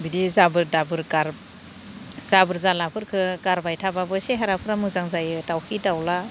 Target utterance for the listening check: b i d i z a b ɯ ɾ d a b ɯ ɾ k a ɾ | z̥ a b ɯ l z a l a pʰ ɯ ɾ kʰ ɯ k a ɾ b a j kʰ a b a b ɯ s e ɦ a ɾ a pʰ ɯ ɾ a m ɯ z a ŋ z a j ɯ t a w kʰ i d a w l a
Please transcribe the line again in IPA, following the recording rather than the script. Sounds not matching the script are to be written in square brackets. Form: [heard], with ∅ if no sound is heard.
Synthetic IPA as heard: b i d i z a b ɯ ɾ d a b ɯ ɾ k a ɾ | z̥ a b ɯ [ɾ] z a l a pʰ ɯ ɾ kʰ ɯ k a ɾ b a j [tʰ] a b a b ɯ s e ɦ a ɾ a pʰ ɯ ɾ a m ɯ z a ŋ z a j ɯ t a w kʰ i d a w l a